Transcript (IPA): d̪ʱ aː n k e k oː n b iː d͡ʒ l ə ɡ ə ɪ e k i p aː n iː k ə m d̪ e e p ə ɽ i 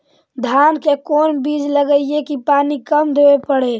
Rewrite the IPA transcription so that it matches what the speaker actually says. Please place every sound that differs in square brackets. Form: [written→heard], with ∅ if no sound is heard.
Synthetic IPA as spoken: d̪ʱ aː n k e k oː n b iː d͡ʒ l ə ɡ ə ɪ e k i p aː n [iː→i] k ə m d̪ e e p ə ɽ [i→e]